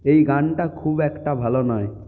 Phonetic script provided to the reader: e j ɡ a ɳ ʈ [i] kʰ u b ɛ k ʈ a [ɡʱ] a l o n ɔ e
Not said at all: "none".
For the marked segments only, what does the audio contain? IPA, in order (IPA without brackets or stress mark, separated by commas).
a, bʱ